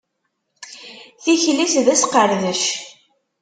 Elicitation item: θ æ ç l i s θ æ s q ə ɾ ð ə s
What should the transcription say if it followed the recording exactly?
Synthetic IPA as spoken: θ i ç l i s ð æ s q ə ɾ ð ə ʃ